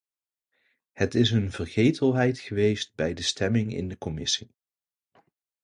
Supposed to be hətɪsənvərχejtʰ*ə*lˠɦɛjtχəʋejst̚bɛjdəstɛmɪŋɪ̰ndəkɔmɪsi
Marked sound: correct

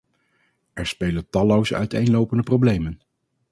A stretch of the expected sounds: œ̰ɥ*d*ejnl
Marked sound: incorrect: t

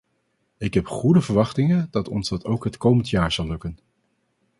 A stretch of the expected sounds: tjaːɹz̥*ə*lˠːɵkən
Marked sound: incorrect: ɑ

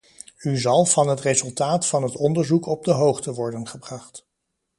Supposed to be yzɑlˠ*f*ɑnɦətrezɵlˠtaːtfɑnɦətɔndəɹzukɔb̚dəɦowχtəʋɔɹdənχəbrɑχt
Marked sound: incorrect: v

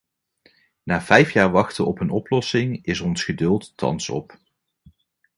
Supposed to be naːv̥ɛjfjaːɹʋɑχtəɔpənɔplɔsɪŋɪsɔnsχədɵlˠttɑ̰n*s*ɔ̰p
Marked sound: correct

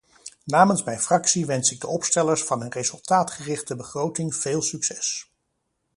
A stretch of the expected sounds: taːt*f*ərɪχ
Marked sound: incorrect: χ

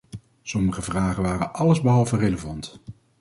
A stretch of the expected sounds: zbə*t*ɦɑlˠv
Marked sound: incorrect: none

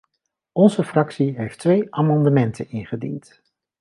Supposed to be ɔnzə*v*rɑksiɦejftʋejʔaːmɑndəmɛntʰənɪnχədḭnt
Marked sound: incorrect: f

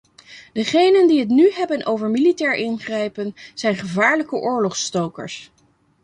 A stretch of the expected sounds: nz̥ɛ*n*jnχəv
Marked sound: incorrect: none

